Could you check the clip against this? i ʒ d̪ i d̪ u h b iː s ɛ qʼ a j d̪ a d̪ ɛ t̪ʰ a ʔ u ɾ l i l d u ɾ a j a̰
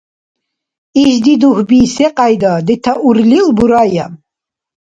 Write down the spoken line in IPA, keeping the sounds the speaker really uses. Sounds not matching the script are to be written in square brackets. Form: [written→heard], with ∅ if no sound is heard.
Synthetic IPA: i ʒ d̪ i d̪ u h b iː s ɛ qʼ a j d̪ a d̪ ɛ t̪ʰ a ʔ u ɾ l i l [d→b] u ɾ a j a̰